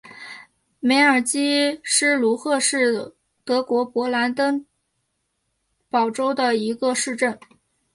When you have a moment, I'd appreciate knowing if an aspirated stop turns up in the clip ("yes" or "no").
no